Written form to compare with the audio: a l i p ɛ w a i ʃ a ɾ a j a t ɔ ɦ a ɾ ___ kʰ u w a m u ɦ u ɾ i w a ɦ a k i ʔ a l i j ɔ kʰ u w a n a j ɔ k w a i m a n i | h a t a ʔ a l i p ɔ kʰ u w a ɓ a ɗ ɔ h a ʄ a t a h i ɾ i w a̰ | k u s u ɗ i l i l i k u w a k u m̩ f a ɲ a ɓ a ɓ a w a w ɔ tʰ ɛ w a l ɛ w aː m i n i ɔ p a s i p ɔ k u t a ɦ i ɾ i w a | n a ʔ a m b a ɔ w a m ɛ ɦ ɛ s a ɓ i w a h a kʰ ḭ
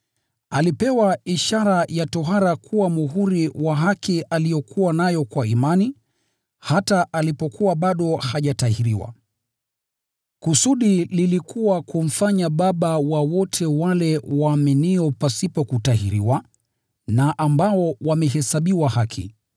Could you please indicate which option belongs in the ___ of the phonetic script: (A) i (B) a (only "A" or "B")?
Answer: B